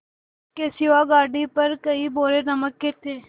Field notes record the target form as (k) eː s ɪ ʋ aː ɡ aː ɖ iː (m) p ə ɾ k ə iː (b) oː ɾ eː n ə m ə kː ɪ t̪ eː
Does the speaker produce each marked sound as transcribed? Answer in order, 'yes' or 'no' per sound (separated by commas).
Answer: yes, no, yes